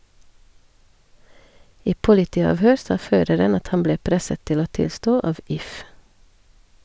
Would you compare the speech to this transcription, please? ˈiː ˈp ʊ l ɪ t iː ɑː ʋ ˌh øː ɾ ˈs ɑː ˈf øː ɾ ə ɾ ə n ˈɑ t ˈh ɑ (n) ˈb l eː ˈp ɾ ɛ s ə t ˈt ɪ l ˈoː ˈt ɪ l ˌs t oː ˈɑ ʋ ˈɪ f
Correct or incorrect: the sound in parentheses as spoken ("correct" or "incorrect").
incorrect